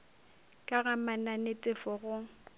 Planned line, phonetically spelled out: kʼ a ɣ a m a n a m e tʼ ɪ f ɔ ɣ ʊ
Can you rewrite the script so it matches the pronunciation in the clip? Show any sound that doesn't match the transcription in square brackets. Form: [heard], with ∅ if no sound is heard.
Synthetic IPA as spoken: kʼ a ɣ a m a n a [n] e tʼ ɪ f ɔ ɣ ʊ